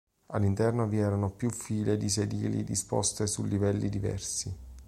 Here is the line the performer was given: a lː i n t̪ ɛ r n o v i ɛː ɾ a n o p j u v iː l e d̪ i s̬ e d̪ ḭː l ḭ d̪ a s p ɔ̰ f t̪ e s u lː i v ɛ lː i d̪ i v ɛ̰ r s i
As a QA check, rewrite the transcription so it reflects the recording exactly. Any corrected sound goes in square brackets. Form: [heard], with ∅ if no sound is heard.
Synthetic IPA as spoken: a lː i n t̪ ɛ r n o v i ɛː ɾ a n o p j u [f] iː l e d̪ i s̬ e d̪ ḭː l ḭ d̪ [i] s p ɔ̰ [s] t̪ e s u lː i v ɛ lː i d̪ i v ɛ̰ r s i